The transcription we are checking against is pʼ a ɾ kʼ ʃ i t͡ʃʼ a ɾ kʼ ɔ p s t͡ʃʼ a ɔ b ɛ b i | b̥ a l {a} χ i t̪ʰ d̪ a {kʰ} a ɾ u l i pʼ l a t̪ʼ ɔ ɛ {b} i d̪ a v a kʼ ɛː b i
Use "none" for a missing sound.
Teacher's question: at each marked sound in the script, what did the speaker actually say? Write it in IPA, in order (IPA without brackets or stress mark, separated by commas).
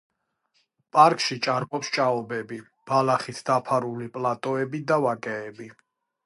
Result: a, pʰ, b